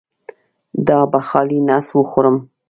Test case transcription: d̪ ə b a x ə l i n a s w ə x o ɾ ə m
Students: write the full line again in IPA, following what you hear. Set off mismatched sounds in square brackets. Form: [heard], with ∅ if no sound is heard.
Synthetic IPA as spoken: d̪ [ɑ] b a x [ɑ] l i n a s w ə x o ɾ ə m

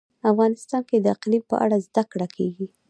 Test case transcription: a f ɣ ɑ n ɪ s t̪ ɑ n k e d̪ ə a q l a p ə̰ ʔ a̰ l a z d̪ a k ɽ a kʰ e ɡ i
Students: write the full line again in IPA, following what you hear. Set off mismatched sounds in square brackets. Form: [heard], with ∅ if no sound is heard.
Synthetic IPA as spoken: a f ɣ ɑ n ɪ s t̪ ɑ n k e d̪ ə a q l [i] p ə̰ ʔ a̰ [ɽ] a z d̪ a k ɽ a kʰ e ɡ i

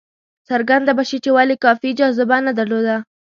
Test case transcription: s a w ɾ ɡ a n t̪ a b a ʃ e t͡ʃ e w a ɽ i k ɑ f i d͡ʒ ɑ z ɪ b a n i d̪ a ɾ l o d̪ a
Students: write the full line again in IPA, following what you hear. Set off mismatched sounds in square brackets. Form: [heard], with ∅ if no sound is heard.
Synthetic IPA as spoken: s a [∅] ɾ ɡ a n [d̪] a b a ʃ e t͡ʃ e w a [l] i k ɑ f i d͡ʒ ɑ z ɪ b a n [a] d̪ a ɾ l o d̪ a

